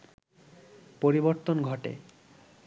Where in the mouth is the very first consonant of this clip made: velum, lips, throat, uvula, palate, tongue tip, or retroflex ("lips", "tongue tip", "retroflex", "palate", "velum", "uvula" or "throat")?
lips